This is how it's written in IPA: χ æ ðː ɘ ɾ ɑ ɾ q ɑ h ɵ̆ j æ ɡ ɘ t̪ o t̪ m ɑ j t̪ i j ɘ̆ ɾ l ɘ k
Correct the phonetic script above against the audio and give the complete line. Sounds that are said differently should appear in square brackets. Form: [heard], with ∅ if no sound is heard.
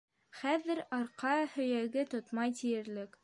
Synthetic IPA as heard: χ æ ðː ɘ ɾ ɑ ɾ q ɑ h ɵ̆ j æ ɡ ɘ t̪ o t̪ m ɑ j t̪ i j ɘ̆ ɾ l ɘ k